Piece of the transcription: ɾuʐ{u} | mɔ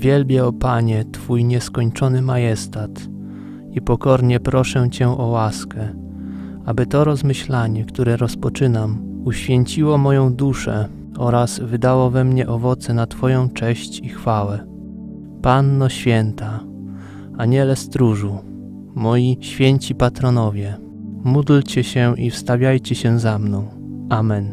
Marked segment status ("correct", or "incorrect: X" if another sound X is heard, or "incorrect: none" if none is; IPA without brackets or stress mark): correct